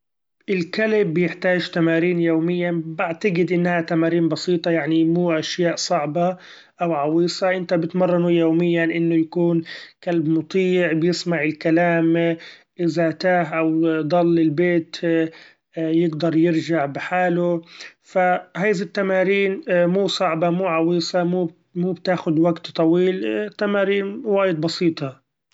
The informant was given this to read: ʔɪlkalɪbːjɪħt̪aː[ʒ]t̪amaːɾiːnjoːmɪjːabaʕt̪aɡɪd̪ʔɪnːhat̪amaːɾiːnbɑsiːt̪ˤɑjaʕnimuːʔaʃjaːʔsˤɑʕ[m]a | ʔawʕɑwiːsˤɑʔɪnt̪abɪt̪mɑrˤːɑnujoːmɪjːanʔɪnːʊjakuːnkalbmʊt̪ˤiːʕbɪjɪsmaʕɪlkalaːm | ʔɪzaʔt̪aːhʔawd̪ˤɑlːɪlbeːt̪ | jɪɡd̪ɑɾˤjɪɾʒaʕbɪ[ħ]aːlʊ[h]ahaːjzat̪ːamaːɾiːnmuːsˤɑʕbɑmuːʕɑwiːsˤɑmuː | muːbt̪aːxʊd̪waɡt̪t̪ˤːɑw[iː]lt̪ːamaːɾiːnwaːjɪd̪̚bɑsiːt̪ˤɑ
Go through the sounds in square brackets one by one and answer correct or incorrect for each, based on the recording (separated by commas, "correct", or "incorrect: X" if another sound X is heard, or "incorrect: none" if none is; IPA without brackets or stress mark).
correct, incorrect: b, correct, incorrect: f, correct